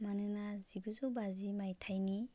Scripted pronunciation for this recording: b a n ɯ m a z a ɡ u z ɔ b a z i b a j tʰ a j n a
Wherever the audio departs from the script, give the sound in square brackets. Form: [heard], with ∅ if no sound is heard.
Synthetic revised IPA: [m] a n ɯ [n] a z [i] ɡ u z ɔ b a z i [m] a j tʰ a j n [i]